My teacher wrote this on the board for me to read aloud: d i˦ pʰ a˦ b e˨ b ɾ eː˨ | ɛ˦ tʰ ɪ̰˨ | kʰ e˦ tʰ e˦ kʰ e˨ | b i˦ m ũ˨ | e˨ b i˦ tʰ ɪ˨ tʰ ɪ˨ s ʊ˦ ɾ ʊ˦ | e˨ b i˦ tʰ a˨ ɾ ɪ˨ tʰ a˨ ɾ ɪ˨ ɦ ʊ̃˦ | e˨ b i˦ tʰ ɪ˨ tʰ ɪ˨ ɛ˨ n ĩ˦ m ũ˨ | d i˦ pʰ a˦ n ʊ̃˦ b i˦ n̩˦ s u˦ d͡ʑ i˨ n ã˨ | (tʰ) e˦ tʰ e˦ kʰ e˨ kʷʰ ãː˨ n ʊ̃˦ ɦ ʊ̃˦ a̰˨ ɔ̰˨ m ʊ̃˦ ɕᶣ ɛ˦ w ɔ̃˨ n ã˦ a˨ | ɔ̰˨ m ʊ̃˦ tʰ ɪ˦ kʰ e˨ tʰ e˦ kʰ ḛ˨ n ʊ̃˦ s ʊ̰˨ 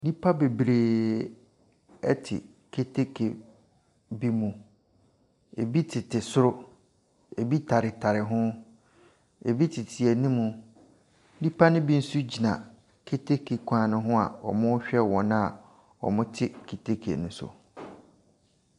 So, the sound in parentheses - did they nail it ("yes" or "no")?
no